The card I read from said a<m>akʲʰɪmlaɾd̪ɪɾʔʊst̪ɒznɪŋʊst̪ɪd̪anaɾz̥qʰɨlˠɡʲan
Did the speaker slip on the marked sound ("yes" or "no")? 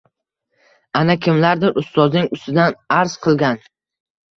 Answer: yes